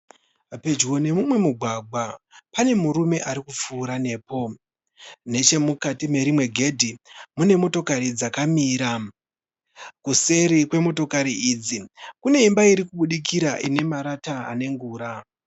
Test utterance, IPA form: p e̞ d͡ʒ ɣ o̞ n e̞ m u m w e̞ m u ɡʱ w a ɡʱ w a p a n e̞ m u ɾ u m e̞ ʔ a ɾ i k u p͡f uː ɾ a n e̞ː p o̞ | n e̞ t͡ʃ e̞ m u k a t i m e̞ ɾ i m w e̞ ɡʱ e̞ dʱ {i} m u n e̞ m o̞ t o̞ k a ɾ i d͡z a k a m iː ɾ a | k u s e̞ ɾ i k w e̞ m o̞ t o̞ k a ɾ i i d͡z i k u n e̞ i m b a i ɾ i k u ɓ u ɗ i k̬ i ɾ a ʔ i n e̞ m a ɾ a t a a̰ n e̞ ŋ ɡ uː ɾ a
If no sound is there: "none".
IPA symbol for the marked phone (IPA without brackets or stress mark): i